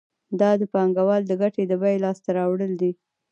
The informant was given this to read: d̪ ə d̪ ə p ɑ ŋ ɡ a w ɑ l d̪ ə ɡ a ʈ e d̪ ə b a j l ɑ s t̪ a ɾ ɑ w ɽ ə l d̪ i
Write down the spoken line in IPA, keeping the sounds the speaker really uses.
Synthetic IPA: d̪ ɑ d̪ ə p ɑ ŋ ɡ a w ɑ l d̪ ə ɡ a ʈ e d̪ ə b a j l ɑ s t̪ a ɾ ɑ w ɽ ə l d̪ i